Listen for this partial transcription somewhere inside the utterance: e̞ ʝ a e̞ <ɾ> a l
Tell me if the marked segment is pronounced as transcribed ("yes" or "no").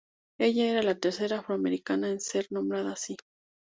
yes